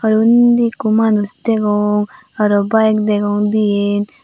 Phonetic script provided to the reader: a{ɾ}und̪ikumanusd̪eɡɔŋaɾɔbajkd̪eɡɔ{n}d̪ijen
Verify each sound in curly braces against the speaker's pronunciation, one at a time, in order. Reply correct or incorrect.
correct, incorrect: ŋ

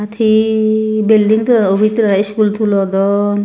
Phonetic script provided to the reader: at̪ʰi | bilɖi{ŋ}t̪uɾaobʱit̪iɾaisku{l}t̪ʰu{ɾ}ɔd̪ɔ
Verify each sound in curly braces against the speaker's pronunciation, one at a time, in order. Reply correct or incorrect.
correct, correct, incorrect: l

